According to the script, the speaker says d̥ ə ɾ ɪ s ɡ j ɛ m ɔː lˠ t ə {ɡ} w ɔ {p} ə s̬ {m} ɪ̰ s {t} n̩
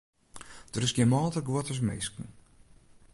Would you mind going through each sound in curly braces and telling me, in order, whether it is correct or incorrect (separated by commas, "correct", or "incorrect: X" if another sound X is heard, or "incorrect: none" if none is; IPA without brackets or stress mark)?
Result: correct, incorrect: t, correct, incorrect: k